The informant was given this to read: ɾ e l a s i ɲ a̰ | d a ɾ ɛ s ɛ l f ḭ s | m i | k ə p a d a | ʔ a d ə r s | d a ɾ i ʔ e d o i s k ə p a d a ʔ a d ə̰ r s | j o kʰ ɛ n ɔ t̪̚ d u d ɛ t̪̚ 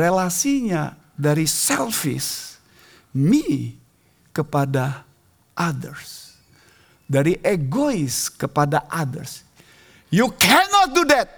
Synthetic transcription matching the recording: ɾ e l a s i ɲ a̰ | d a ɾ i s ɛ l f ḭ s | m i | k ə p a d a | ʔ a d ə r s | d a ɾ i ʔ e ɡ o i s k ə p a d a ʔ a d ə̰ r s | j u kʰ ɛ n ɔ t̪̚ d u d ɛ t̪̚